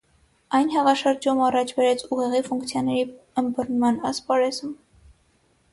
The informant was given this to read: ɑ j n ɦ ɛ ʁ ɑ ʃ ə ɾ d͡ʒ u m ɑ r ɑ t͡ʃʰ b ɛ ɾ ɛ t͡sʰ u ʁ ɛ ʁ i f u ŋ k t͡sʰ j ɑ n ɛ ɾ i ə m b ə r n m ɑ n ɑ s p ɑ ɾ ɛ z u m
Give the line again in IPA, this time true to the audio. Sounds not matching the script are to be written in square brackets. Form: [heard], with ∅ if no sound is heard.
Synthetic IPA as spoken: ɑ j n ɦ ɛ ʁ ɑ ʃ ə ɾ d͡ʒ u m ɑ r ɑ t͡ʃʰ b ɛ ɾ ɛ t͡sʰ u ʁ ɛ ʁ i f u ŋ k t͡sʰ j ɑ n ɛ ɾ i ə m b ə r n m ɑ n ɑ s p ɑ ɾ ɛ z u m